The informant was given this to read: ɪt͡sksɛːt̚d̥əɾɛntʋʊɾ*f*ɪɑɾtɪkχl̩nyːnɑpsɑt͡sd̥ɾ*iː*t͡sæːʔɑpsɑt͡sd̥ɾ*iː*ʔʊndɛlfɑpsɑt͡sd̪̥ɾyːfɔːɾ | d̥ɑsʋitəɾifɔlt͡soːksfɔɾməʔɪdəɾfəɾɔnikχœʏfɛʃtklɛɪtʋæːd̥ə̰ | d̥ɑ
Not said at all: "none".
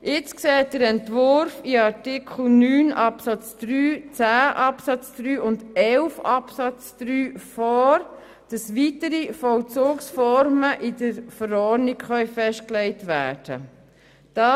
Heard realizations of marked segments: f, yː, yː

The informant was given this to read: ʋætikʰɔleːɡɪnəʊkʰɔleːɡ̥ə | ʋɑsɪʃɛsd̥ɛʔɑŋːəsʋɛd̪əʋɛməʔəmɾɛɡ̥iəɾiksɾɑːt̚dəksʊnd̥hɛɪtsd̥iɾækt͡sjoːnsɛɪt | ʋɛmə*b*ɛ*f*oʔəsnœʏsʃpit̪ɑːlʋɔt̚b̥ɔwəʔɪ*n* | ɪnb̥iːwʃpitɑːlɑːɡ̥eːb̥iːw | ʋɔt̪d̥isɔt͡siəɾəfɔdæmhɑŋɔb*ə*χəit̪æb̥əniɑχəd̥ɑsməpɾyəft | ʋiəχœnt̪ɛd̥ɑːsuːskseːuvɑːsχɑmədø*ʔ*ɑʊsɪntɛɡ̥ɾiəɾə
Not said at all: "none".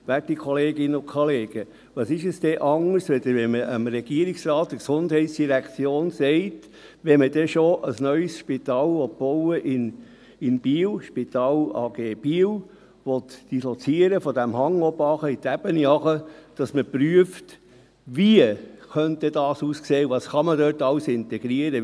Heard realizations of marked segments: d, ʃ, n, ɑ, t

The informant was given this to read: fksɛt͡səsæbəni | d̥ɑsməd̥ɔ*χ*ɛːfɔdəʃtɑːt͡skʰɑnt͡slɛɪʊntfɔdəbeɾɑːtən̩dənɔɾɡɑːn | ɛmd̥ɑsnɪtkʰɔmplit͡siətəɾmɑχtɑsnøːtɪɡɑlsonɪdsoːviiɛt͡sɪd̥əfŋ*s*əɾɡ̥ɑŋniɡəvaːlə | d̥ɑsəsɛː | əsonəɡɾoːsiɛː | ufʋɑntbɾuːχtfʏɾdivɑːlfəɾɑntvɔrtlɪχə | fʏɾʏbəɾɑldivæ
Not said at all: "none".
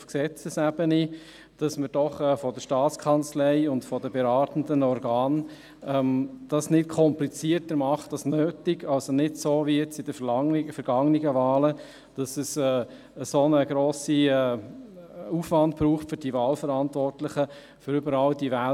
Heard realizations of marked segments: χ, f

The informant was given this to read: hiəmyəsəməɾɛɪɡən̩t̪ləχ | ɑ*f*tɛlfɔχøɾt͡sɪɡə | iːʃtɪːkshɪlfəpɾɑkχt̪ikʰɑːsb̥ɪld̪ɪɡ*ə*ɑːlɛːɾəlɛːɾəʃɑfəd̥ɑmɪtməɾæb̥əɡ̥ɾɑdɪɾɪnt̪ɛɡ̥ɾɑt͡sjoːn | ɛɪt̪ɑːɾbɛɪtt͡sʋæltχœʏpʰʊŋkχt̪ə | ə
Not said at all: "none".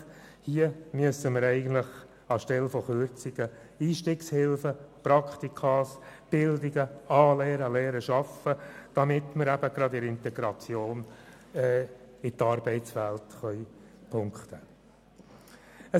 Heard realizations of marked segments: ʃ, ə

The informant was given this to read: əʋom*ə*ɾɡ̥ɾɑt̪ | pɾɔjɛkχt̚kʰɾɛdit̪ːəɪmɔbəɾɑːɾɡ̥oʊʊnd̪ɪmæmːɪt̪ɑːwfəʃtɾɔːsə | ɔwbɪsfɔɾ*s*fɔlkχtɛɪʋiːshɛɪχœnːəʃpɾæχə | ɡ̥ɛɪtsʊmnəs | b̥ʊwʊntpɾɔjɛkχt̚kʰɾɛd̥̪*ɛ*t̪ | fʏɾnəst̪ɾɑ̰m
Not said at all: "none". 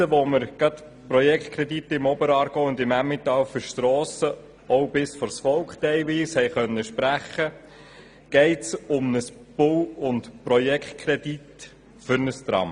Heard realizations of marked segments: ə, s, i

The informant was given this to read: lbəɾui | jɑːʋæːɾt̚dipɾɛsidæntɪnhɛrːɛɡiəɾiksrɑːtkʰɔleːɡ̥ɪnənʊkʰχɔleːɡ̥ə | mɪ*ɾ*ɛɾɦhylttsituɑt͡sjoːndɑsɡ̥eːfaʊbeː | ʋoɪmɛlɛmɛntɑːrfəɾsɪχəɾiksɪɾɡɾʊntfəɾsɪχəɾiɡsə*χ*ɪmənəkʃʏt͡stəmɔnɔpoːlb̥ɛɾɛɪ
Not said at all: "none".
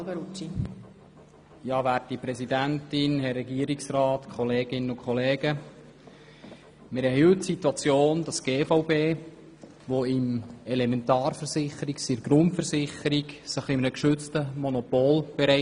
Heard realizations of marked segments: ɾ, χ

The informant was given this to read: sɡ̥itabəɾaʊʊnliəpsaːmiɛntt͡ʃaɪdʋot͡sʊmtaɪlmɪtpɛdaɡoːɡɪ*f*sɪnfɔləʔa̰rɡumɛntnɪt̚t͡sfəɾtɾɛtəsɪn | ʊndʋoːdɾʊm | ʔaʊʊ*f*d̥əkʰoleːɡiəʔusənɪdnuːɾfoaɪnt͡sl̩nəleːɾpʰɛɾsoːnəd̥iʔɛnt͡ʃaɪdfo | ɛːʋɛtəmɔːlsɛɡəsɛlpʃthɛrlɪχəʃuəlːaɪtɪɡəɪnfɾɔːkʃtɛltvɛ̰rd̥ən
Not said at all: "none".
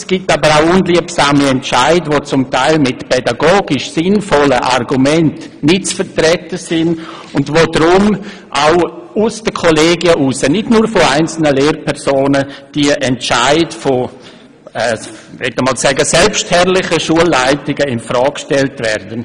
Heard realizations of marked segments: ʃ, s

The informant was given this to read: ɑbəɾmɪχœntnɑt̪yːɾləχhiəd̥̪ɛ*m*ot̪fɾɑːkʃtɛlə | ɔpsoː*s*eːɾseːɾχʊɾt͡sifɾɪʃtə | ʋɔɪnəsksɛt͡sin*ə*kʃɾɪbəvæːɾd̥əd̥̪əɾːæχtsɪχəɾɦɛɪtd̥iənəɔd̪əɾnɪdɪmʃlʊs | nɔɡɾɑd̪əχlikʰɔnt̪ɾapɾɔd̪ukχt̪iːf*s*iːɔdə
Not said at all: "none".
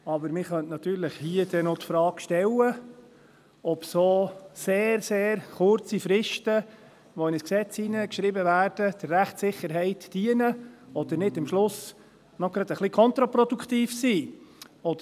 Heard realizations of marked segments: n, s, ə, s

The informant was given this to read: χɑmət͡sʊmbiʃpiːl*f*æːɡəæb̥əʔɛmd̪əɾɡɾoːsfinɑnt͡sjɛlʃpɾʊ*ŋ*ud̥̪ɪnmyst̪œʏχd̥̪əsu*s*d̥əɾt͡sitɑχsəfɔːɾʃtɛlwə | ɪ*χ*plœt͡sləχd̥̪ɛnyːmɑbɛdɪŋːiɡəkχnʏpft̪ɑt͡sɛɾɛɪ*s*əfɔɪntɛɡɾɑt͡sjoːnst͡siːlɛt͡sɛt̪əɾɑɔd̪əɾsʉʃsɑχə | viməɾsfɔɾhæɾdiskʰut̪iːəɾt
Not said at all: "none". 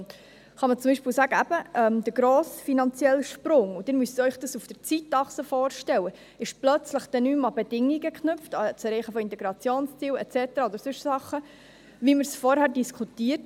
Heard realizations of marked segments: s, ŋ, f, ʃ, χ

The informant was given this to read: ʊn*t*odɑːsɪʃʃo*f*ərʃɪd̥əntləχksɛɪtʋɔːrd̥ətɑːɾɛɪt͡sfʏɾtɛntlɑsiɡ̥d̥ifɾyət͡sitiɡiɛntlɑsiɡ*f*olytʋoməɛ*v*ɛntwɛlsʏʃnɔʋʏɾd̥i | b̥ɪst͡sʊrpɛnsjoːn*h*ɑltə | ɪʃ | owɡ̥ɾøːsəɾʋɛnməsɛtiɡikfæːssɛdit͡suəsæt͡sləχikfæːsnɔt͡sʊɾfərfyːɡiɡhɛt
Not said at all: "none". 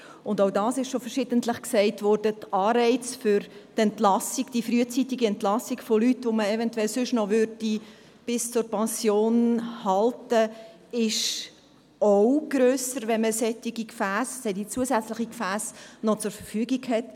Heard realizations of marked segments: d, f, f, v, h

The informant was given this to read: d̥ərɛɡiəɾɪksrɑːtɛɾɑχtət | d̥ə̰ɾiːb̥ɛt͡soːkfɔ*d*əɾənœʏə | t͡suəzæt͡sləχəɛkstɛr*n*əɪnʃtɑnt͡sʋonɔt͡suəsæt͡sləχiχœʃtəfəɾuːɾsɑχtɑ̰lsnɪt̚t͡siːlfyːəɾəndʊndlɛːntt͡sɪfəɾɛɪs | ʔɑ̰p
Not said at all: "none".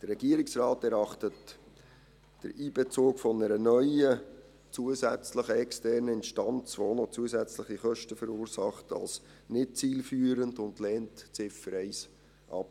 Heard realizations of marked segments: n, n

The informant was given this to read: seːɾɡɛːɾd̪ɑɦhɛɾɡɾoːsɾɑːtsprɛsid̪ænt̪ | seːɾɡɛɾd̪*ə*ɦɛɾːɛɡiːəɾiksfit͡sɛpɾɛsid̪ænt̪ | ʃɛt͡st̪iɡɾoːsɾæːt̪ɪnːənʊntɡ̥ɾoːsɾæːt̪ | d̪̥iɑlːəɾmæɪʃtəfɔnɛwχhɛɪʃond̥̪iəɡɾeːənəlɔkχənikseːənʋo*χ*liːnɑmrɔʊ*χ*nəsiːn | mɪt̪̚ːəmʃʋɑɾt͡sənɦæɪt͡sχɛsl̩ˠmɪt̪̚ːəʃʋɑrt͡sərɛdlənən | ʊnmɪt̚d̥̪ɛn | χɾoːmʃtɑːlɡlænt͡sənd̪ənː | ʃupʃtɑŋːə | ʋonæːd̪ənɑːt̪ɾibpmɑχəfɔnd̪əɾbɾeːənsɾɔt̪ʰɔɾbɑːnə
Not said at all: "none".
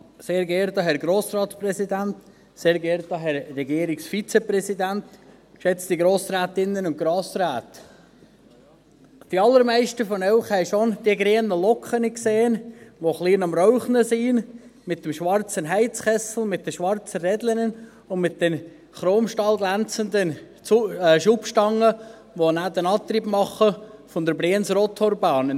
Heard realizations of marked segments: ɑ, χ, χ

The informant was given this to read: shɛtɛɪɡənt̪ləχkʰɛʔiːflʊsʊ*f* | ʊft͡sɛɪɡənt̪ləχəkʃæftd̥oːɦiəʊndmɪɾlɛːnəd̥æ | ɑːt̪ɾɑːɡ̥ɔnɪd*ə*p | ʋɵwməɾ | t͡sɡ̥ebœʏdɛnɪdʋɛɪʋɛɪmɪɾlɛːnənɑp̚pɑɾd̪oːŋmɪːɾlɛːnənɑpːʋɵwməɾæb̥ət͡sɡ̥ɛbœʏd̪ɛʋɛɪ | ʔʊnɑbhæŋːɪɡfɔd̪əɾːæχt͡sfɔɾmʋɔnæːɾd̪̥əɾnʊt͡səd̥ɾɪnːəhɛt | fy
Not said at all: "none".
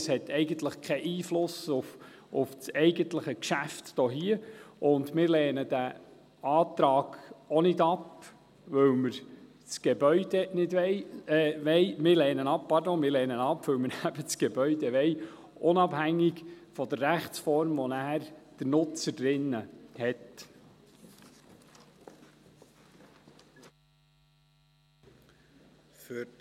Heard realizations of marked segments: f, ɑ

